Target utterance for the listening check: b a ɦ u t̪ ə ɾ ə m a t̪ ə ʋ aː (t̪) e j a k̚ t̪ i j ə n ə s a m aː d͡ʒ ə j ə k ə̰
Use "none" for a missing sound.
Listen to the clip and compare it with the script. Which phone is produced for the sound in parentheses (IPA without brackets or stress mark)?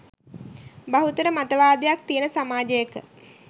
d̪